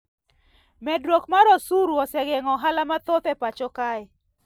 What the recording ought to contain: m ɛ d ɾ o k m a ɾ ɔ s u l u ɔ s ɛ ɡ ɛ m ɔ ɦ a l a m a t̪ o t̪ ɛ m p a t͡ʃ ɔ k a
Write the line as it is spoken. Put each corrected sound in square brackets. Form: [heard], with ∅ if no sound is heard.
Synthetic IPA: m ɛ d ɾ o k m a ɾ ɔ s u [ɾ] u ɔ s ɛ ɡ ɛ [ŋ] ɔ ɦ a l a m a t̪ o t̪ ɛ [∅] p a t͡ʃ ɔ k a